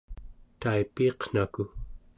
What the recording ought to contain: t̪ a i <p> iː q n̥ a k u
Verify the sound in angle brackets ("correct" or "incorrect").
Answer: correct